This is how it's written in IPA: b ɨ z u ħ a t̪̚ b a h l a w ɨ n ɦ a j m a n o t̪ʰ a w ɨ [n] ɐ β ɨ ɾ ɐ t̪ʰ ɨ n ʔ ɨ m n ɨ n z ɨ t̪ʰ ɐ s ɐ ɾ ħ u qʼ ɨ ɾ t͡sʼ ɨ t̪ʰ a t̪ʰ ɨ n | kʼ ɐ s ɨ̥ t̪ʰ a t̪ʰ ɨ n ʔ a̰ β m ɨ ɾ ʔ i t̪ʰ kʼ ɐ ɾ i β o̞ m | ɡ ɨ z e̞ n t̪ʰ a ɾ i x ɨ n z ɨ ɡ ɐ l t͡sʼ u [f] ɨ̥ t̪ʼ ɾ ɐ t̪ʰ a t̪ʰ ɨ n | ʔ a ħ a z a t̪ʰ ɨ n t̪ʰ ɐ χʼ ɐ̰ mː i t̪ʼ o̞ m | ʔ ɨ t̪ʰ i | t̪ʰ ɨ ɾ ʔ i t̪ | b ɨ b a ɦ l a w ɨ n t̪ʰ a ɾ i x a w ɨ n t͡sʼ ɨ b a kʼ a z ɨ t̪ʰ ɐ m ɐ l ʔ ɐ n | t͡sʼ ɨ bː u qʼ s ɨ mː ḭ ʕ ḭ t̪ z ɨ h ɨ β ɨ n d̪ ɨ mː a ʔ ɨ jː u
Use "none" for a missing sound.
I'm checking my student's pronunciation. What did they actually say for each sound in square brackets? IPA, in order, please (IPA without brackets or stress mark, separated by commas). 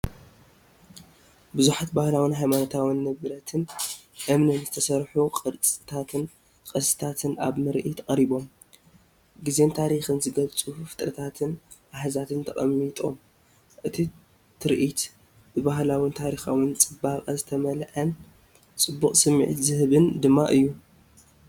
nː, f